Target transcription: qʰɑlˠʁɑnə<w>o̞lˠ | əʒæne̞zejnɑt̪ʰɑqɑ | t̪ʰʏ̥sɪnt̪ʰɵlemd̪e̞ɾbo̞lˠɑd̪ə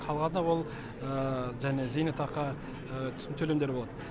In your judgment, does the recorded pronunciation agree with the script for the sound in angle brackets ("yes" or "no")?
yes